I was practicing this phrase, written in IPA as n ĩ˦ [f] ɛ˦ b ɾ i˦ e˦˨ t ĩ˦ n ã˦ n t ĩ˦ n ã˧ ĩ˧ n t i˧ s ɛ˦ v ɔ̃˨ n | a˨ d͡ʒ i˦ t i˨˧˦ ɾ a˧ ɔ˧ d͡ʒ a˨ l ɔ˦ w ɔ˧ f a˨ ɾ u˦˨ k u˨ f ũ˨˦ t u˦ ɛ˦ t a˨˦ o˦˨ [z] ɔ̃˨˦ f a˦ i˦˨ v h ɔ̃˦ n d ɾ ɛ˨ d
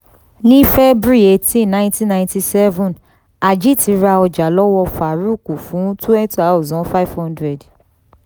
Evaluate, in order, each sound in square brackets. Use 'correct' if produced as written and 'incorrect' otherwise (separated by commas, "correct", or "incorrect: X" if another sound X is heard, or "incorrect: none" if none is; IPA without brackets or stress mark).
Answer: correct, correct